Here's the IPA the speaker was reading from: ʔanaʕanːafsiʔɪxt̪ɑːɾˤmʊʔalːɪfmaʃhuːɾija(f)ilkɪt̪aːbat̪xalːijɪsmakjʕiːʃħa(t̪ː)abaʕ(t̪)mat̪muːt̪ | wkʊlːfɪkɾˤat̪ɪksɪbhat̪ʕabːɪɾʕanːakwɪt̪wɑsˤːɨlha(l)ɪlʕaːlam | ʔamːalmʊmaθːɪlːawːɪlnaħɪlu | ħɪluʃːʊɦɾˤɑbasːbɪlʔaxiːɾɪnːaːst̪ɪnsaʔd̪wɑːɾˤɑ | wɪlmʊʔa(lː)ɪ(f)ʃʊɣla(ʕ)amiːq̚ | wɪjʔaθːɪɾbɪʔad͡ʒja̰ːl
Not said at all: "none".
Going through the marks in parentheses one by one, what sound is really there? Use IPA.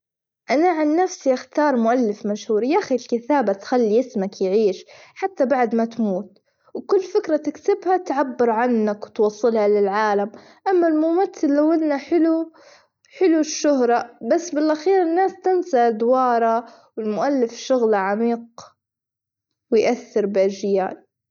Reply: x, t̪ː, d̪, l, lː, f, ʕ

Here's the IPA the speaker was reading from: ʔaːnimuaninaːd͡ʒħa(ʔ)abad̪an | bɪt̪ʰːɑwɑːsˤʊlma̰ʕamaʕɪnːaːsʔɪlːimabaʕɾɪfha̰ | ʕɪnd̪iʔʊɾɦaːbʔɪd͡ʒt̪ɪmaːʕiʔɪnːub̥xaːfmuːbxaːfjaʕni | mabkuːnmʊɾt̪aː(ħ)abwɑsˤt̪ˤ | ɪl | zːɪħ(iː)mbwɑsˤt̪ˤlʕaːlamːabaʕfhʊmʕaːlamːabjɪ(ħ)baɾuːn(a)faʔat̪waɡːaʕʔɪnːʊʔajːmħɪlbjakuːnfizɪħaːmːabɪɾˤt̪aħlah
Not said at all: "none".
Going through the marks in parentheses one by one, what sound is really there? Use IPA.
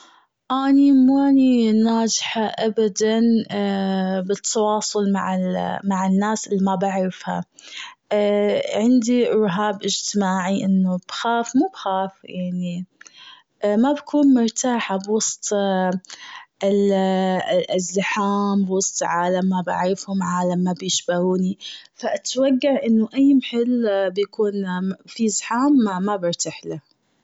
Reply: ʔ, ħ, aː, ʃ, i

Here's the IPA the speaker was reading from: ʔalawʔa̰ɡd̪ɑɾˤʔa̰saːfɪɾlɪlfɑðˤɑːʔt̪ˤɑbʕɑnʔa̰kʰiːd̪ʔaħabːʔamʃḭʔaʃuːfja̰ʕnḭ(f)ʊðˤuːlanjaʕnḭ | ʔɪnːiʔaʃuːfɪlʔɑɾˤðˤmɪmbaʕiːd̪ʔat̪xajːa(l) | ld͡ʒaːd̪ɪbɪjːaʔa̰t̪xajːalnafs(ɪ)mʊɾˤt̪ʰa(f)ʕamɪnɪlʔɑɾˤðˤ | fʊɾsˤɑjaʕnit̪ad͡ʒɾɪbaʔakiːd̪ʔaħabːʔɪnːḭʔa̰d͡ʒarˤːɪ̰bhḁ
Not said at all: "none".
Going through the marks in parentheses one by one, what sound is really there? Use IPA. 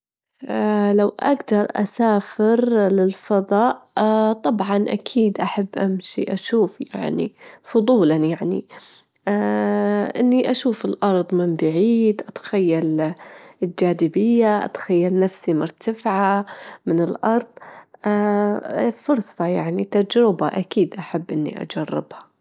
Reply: f, l, i, f

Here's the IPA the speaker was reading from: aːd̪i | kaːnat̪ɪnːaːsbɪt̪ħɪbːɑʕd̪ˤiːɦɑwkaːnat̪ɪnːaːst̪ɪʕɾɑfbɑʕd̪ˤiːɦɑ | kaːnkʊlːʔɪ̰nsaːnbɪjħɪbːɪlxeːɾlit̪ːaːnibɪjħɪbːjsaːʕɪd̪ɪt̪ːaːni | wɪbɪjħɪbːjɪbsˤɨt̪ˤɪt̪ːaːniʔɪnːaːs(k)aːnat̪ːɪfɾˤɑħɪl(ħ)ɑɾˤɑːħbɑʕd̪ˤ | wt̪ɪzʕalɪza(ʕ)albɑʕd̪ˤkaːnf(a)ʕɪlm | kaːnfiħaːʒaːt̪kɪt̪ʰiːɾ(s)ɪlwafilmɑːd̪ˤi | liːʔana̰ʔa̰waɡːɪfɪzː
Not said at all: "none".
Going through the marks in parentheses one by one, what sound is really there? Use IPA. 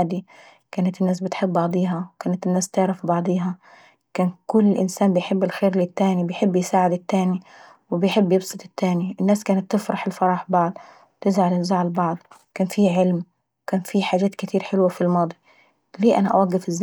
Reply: k, f, ʕ, i, ħ

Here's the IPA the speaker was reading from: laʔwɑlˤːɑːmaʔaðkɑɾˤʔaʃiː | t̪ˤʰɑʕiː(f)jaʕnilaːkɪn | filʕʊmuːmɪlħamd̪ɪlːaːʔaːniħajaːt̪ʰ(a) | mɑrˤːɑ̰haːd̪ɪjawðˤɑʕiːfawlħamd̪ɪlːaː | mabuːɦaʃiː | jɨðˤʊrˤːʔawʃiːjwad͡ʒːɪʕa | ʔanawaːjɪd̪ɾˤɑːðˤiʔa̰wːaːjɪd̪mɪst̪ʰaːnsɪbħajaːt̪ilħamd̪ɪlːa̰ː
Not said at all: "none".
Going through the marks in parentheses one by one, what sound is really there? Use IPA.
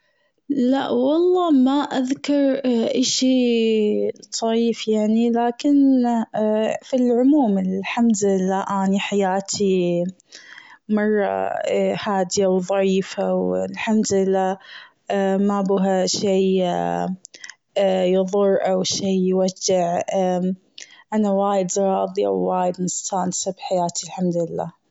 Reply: f, i

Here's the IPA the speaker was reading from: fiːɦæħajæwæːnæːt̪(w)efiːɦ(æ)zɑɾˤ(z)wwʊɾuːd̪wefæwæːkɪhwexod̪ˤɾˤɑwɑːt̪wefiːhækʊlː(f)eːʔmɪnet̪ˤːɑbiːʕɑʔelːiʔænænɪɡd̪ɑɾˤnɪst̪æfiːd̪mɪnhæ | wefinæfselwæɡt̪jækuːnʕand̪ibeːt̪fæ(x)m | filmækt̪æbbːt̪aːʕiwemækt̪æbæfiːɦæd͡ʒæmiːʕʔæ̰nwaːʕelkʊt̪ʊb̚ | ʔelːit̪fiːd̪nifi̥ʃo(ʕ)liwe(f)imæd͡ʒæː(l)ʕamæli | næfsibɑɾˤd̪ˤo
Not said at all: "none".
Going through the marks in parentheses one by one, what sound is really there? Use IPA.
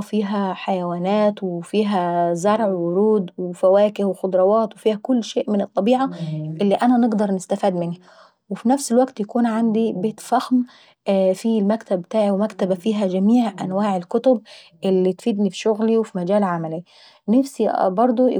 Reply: w, æ, ʕ, ʃ, x, ɣ, f, l

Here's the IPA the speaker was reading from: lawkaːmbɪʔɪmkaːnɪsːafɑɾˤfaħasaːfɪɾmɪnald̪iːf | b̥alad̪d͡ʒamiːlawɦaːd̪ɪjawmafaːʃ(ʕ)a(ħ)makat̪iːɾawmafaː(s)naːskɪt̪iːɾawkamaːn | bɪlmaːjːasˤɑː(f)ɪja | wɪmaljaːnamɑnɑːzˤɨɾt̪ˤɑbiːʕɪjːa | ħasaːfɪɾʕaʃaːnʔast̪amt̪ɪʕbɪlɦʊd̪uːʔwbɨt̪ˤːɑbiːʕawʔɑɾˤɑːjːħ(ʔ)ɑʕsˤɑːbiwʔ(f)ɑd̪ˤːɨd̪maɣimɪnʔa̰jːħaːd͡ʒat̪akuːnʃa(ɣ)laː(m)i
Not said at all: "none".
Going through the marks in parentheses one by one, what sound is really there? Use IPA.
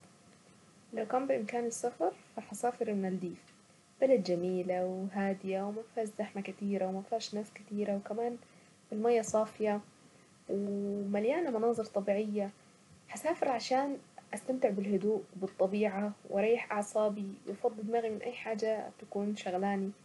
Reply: z, ħ, ʃ, f, ʔ, f, ɣ, n

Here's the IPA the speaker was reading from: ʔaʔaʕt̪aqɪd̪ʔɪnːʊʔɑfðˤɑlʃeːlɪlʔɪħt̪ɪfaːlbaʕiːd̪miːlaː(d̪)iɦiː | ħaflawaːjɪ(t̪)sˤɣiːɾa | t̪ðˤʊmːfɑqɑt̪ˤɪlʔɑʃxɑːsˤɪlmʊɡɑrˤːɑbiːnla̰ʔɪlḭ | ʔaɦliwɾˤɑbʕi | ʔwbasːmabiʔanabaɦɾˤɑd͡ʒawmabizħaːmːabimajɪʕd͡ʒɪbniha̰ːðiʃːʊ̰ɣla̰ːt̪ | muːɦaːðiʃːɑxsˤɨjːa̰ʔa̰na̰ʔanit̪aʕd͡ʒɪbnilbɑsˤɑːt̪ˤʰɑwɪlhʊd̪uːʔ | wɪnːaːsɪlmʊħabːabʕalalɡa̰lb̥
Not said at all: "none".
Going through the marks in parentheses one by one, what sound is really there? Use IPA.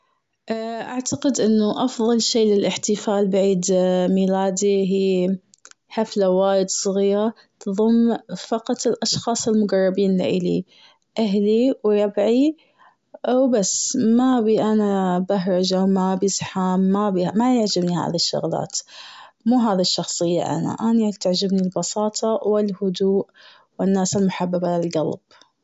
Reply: d̪, d̪

